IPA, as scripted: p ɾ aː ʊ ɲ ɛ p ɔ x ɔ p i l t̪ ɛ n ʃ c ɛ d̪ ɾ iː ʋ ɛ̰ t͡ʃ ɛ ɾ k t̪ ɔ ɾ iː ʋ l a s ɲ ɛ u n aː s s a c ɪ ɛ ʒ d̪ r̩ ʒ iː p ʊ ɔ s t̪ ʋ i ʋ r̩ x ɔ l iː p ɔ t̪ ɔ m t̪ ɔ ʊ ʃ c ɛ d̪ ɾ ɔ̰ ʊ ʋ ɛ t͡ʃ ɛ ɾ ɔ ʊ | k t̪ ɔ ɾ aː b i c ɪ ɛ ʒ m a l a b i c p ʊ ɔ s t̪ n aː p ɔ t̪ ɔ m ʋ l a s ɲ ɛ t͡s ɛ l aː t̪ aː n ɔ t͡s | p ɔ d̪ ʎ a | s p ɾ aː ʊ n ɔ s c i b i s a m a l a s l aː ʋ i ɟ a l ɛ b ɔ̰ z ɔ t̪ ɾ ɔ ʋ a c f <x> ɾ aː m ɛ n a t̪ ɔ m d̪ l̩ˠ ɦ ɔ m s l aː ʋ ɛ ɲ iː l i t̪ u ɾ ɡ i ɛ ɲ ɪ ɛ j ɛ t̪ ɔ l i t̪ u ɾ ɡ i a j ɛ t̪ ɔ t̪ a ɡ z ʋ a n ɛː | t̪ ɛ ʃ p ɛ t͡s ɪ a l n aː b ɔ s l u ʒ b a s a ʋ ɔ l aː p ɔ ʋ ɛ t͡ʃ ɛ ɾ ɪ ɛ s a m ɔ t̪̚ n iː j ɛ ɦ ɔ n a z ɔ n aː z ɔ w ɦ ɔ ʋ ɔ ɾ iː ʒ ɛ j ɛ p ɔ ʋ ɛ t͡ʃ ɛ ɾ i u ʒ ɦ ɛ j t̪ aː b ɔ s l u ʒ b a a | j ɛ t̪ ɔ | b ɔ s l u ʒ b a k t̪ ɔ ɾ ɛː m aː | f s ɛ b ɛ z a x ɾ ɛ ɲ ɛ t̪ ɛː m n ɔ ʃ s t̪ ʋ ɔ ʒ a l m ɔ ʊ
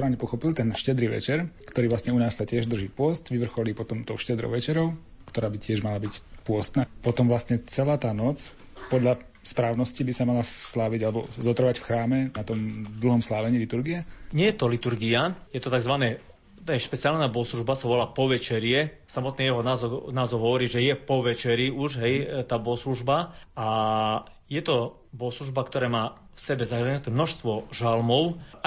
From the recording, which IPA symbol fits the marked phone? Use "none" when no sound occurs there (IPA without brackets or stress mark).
x